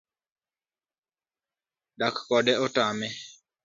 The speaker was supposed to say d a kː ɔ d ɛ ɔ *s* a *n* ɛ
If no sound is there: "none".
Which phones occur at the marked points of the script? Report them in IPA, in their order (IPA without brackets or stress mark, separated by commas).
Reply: t, m